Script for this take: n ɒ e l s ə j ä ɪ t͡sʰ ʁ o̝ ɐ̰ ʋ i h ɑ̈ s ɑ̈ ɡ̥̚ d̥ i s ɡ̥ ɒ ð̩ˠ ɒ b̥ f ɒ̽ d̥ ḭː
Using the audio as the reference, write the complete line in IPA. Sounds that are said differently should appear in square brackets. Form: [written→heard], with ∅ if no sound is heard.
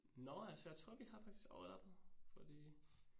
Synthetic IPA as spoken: n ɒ [e→æ] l s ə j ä ɪ t͡sʰ ʁ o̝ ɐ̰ ʋ i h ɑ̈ [s→f] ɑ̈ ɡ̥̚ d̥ i s ɡ̥ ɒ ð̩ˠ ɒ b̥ f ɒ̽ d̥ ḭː